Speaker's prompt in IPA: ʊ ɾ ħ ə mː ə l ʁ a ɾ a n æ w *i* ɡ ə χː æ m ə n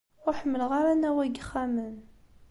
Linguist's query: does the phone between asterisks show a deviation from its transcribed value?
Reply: yes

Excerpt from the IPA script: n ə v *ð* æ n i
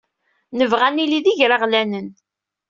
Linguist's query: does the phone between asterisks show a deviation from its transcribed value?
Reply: yes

